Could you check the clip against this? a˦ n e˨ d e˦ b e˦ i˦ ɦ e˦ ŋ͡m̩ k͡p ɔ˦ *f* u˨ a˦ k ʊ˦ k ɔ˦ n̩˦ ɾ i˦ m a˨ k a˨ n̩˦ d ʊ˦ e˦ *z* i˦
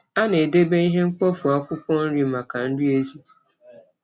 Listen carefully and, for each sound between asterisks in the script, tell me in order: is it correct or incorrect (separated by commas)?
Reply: correct, correct